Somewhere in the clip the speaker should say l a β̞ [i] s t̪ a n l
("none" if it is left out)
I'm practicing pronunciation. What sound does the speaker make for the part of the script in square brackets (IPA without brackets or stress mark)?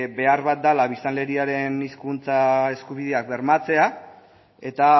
i